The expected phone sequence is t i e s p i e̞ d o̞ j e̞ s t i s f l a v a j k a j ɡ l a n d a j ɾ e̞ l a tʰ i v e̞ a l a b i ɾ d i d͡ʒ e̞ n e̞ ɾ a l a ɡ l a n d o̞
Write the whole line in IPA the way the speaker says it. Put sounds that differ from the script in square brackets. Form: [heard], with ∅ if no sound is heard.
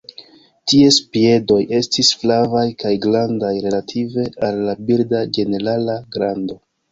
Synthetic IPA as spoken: t i e s p i e̞ d o̞ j e̞ s t i s f l a v a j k a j ɡ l a n d a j ɾ e̞ l a tʰ i v e̞ a [lː] a b i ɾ d [a] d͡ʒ e̞ n e̞ ɾ a l a ɡ [ɾ] a n d o̞